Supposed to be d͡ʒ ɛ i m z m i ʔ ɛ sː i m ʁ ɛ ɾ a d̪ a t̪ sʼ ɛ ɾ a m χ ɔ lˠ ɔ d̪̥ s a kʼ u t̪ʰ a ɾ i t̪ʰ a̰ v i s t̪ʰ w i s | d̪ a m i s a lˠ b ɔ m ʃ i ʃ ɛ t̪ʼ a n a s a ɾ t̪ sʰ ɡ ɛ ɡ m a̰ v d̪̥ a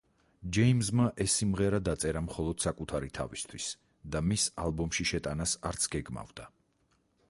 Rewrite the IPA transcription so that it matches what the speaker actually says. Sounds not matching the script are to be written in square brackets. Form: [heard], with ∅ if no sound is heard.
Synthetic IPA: d͡ʒ ɛ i m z m [a] ʔ ɛ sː i m ʁ ɛ ɾ a d̪ a t̪ sʼ ɛ ɾ a m χ ɔ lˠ ɔ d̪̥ s a kʼ u t̪ʰ a ɾ i t̪ʰ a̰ v i s t̪ʰ w i s | d̪ a m i s a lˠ b ɔ m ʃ i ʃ ɛ t̪ʼ a n a s a ɾ t̪ sʰ ɡ ɛ ɡ m a̰ v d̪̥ a